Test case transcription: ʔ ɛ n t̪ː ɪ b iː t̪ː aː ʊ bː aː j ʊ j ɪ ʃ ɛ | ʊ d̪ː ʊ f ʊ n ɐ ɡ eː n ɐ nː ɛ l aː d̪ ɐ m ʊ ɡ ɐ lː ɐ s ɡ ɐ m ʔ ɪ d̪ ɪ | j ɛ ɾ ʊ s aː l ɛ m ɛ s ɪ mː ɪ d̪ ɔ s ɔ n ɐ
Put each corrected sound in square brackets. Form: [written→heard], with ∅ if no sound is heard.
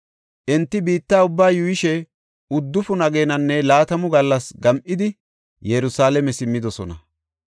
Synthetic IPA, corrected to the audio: ʔ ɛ n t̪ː ɪ b iː t̪ː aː ʊ bː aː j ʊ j ɪ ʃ ɛ | ʊ d̪ː ʊ f ʊ n ɐ ɡ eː n ɐ nː ɛ l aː [d̪→t̪] ɐ m ʊ ɡ ɐ lː ɐ s ɡ ɐ m ʔ ɪ d̪ ɪ | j ɛ ɾ ʊ s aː l ɛ m ɛ s ɪ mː ɪ d̪ ɔ s ɔ n ɐ